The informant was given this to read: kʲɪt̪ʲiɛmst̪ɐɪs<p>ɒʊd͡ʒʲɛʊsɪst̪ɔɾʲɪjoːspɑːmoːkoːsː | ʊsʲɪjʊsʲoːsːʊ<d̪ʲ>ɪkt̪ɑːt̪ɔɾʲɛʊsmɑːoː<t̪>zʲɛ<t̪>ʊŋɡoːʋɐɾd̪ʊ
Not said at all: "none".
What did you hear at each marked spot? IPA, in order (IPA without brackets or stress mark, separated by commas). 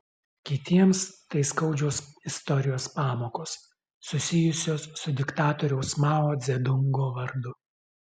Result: k, d̪ʲ, d̪, d̪